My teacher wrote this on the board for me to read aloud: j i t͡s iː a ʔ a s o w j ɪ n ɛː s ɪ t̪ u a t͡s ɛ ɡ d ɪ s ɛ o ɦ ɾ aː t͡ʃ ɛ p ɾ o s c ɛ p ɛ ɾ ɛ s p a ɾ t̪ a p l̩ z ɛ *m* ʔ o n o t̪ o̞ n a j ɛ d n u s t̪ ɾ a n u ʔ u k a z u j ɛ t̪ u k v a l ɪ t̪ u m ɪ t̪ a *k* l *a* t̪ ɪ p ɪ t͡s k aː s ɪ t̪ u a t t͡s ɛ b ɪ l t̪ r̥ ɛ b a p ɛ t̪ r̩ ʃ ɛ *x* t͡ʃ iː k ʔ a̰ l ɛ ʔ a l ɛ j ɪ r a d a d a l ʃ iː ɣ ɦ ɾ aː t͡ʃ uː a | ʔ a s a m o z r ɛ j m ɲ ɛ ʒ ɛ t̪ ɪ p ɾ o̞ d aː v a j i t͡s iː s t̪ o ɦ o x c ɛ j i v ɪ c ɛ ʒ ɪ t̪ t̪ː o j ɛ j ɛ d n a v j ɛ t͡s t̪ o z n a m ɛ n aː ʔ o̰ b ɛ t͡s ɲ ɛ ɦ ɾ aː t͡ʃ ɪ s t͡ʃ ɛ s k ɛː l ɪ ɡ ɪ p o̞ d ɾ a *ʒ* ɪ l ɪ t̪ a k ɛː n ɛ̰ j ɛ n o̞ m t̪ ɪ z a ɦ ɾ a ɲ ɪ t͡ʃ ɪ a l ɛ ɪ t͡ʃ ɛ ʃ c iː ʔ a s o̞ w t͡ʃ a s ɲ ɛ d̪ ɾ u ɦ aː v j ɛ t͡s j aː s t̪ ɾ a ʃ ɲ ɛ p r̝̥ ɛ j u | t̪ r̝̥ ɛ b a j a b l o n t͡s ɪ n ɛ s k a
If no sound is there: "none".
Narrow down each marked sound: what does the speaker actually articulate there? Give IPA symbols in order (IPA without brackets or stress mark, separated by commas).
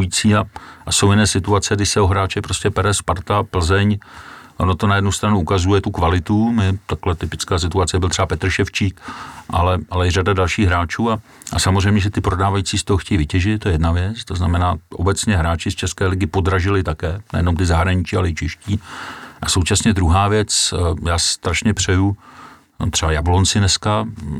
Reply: ɲ, k, ɛ, f, ʒ